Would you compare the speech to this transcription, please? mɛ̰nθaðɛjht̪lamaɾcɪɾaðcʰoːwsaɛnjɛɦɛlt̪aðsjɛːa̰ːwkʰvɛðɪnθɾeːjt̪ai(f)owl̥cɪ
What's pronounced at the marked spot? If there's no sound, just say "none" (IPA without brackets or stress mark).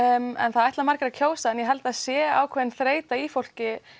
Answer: f